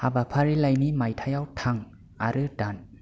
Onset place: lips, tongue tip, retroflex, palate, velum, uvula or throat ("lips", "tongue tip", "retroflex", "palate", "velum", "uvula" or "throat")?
throat